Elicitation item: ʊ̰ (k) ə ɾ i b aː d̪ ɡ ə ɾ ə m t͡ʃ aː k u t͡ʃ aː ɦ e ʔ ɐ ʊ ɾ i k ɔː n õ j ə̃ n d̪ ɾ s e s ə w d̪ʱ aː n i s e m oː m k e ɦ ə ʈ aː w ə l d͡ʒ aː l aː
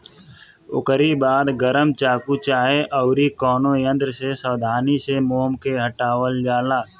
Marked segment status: correct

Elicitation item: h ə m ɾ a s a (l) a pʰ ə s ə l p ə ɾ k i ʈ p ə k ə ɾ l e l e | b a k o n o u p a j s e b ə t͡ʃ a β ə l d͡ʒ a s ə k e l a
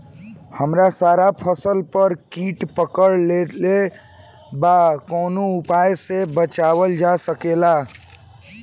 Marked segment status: incorrect: ɾ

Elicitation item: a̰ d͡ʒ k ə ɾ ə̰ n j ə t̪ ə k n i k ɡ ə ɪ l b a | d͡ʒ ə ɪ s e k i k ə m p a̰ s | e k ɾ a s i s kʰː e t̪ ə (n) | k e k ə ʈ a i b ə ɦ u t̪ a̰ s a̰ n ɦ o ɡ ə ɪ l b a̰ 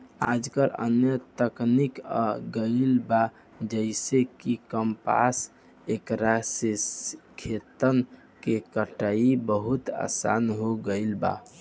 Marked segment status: correct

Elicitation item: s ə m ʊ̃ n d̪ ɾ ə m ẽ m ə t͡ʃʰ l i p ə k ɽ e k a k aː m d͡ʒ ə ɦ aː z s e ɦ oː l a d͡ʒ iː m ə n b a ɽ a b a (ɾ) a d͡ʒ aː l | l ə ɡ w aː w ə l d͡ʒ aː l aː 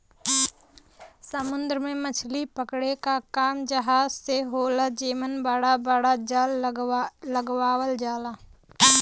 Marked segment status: incorrect: ɽ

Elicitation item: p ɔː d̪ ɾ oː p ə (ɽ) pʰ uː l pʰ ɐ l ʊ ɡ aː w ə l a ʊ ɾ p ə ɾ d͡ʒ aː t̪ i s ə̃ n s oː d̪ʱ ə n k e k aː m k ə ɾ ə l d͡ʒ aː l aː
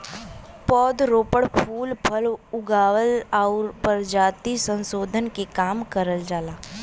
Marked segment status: correct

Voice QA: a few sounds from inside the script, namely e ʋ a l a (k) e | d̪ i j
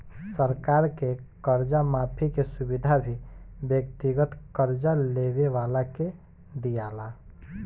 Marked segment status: correct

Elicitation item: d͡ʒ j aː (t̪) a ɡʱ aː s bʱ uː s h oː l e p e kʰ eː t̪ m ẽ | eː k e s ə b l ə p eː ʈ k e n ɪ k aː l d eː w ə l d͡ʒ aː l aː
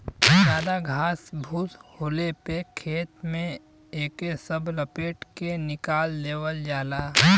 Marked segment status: incorrect: d̪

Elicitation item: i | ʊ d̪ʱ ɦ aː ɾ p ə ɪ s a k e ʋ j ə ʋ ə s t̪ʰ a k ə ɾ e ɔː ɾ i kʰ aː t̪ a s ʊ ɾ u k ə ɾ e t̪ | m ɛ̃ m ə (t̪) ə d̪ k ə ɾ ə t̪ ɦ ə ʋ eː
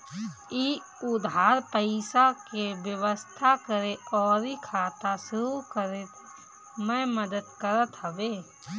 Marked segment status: incorrect: d̪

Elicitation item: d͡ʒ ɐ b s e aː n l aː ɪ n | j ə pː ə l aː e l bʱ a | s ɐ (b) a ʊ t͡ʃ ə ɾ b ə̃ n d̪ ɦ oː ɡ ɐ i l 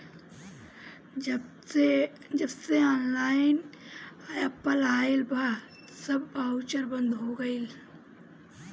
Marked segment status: correct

